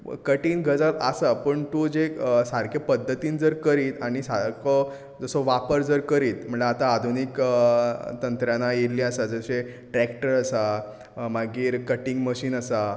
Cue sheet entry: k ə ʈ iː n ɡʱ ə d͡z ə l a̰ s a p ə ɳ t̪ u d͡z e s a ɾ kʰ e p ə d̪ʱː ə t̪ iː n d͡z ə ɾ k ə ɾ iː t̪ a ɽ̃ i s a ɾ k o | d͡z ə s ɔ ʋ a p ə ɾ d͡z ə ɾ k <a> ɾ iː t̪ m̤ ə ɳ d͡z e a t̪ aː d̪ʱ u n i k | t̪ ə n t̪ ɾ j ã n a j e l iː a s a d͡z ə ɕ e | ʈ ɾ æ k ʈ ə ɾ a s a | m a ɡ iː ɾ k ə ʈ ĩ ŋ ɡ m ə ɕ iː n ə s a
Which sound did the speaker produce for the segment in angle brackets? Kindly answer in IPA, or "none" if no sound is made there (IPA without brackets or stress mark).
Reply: ə